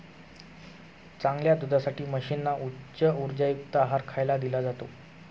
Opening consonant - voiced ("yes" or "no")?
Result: no